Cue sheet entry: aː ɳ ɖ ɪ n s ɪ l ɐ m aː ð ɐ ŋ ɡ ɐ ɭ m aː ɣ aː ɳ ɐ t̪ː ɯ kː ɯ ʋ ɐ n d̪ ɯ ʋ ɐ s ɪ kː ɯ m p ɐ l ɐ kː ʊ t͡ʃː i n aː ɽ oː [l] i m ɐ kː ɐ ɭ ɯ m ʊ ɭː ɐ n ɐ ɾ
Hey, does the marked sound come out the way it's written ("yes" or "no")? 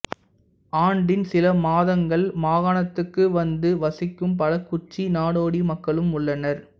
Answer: no